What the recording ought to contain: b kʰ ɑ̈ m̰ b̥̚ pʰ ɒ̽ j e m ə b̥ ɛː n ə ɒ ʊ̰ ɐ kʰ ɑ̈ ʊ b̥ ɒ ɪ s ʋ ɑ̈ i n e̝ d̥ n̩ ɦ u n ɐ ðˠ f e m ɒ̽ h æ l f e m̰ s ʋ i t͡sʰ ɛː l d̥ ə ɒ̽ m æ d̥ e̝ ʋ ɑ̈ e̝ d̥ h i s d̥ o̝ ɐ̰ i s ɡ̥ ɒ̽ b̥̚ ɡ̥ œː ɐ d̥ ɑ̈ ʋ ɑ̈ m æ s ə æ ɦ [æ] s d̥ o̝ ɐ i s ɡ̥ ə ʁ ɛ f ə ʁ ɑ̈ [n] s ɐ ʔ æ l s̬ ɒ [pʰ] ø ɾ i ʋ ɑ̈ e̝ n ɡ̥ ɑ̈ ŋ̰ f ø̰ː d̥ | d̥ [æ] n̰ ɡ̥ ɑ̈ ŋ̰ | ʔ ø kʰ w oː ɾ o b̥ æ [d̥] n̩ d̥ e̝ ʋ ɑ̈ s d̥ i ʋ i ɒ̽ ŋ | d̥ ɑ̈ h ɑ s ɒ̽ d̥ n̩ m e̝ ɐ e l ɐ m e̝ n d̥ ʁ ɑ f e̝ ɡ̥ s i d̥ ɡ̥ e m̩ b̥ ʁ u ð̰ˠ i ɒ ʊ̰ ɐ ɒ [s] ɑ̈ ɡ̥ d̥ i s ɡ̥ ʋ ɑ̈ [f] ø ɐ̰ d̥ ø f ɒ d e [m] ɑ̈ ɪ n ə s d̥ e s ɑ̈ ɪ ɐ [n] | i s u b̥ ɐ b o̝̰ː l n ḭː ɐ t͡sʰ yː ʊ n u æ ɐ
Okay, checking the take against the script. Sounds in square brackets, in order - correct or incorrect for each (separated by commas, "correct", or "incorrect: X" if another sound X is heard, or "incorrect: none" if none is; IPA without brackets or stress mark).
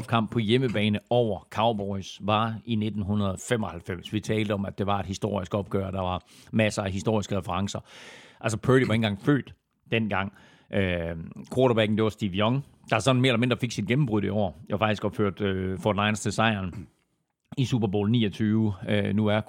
incorrect: i, incorrect: ŋ, correct, incorrect: e, incorrect: ɡ̥, incorrect: f, correct, incorrect: n, correct